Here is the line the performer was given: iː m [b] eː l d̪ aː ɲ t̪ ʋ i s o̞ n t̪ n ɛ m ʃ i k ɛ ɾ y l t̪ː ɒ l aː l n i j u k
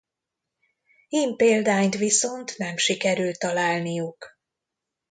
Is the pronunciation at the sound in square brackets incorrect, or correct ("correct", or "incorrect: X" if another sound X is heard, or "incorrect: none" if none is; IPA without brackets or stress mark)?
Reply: incorrect: p